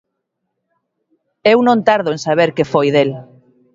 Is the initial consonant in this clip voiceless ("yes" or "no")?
no